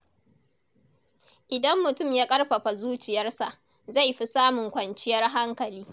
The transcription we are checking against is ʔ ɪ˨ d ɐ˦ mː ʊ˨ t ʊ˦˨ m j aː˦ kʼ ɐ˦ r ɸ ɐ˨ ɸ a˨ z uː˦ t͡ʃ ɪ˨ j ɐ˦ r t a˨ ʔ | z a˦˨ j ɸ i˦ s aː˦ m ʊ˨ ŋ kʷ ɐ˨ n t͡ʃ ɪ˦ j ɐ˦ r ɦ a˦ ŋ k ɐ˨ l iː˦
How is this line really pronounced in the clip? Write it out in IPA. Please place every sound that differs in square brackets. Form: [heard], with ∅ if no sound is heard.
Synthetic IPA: ʔ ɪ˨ d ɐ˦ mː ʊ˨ t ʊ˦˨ m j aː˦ kʼ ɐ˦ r ɸ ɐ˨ ɸ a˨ z uː˦ t͡ʃ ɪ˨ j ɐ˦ r [s] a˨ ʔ | z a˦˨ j ɸ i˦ s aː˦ m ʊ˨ ŋ kʷ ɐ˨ n t͡ʃ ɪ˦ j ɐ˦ r ɦ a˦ ŋ k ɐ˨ l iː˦